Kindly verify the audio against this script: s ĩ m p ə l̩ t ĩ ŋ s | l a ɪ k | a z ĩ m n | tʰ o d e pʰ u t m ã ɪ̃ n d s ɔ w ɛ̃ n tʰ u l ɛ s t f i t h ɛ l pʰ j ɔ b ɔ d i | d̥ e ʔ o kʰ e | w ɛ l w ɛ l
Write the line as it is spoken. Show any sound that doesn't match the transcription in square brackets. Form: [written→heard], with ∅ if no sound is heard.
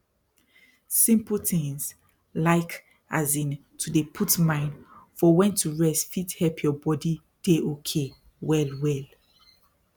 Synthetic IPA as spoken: s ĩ m p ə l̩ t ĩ ŋ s | l a ɪ k | a z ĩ [m→∅] n | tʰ [o→u] d e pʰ u t m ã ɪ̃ n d [s→f] ɔ w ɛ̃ n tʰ u [l→ɹ] ɛ s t f i t h ɛ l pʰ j ɔ b ɔ d i | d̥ e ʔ o kʰ e | w ɛ l w ɛ l